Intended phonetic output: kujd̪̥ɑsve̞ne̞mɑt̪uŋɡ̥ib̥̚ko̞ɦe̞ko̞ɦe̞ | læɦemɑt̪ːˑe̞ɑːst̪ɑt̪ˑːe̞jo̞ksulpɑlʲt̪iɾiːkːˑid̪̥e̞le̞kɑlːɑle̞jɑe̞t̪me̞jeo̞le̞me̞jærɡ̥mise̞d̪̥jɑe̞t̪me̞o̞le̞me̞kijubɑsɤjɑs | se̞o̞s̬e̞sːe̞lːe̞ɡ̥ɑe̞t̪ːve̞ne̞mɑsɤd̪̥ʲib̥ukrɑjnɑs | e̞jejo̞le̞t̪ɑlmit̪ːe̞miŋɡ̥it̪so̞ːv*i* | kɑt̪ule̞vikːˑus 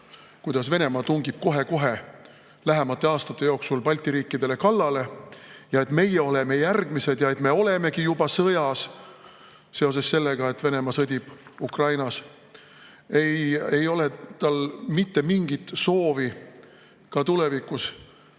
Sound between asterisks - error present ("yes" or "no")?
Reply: no